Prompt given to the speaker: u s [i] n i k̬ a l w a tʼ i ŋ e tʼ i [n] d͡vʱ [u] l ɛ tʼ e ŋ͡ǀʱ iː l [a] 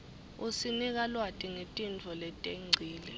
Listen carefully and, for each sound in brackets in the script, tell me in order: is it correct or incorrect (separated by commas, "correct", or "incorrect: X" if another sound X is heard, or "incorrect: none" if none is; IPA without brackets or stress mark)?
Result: correct, correct, incorrect: ɔ, incorrect: ɛ